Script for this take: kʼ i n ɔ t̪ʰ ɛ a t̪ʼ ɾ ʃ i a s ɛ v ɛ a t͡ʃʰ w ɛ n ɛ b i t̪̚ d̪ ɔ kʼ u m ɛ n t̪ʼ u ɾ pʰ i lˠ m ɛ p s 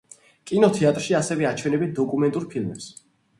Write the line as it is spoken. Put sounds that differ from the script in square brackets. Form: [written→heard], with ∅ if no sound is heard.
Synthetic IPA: kʼ i n ɔ t̪ʰ ɛ a t̪ʼ ɾ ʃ i a s ɛ v ɛ a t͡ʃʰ w ɛ n ɛ b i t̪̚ d̪ ɔ kʼ u m ɛ n t̪ʼ u ɾ pʰ i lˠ m ɛ p s